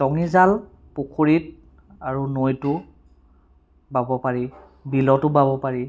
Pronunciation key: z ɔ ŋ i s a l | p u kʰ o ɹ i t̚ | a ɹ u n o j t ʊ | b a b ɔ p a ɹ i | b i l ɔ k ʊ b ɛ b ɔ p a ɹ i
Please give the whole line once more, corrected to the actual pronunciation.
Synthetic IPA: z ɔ ŋ i z a l | p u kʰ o ɹ i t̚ | a ɹ u n o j t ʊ | b a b ɔ p a ɹ i | b i l ɔ t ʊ b a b ɔ p a ɹ i